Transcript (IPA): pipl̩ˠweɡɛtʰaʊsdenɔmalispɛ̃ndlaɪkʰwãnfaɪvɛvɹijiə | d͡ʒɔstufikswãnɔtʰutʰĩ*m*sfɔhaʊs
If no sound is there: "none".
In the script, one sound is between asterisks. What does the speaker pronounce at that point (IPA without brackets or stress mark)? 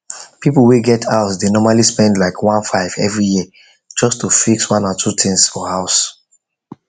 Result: ŋ